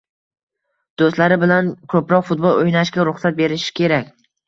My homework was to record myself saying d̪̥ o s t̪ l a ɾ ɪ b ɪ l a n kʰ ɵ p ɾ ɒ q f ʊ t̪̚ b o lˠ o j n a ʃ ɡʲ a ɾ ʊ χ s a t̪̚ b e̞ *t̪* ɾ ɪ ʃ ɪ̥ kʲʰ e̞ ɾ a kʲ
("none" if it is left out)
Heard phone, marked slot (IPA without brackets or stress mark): none